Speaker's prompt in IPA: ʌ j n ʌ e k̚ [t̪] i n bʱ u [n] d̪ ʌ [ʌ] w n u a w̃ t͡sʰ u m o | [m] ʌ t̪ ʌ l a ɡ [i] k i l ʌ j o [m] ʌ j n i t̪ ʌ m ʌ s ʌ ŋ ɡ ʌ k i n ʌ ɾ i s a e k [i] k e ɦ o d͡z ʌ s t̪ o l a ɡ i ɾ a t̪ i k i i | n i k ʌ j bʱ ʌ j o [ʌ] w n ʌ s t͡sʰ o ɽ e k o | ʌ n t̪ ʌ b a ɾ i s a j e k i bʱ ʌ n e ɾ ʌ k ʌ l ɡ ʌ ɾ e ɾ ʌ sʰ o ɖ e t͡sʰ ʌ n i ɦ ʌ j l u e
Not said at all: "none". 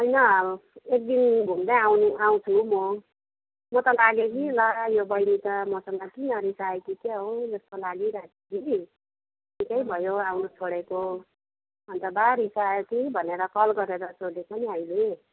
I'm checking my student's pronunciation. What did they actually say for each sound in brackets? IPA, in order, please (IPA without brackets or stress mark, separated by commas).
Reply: d̪, m, a, m, e, b, i, a